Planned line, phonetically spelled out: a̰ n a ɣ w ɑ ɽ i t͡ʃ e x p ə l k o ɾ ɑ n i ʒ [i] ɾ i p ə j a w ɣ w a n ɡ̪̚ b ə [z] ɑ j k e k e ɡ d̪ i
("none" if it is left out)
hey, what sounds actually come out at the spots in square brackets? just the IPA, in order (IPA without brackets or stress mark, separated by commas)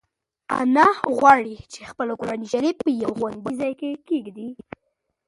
a, z